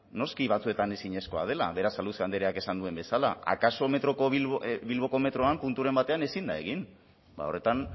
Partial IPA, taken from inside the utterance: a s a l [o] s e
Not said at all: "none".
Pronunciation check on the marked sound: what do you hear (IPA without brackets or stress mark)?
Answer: u